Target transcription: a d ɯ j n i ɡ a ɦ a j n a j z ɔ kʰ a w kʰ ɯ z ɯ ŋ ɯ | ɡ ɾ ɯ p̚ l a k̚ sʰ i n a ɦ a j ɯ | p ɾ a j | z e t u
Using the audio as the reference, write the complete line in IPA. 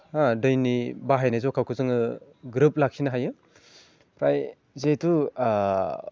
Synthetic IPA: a d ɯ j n i b a ɦ a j n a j z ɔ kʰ a w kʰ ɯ z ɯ ŋ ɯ | ɡ ɾ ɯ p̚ l a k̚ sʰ i n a ɦ a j ɯ | p ɾ a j | z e t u